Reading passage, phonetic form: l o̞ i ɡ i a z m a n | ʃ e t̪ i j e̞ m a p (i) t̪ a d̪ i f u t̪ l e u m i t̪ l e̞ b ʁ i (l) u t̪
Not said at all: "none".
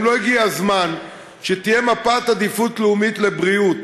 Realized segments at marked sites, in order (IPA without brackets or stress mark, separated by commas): a, none